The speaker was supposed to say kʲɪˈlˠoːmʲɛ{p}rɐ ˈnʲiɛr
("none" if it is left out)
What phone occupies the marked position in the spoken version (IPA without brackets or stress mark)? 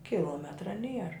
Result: t